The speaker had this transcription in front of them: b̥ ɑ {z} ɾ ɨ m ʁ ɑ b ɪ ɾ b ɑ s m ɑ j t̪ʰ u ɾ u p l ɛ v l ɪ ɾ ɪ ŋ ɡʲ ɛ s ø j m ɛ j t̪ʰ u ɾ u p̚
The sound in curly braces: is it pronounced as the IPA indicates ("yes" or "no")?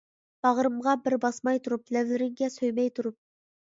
no